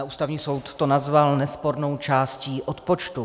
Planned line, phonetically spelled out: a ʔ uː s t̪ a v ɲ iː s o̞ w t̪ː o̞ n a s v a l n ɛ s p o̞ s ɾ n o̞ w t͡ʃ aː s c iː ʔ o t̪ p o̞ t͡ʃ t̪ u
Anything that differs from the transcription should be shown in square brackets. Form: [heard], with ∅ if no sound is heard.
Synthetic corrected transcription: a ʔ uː s t̪ a v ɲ iː s o̞ w t̪ː o̞ n a [z] v a l n ɛ s p o̞ [∅] ɾ n o̞ w t͡ʃ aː s c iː ʔ o t̪ p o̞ t͡ʃ t̪ u